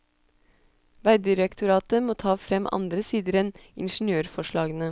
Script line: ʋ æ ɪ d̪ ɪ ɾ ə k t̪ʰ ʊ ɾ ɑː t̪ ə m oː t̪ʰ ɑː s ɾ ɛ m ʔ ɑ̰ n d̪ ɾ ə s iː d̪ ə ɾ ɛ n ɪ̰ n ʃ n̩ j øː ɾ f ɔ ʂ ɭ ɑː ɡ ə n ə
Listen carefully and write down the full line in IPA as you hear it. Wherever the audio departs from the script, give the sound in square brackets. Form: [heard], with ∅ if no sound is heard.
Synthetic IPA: ʋ æ ɪ d̪ ɪ ɾ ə k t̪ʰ ʊ ɾ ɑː t̪ ə m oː t̪ʰ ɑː [f] ɾ ɛ m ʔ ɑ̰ n d̪ ɾ ə s iː d̪ ə ɾ ɛ n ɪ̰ n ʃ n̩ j øː ɾ f ɔ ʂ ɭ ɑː ɡ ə n ə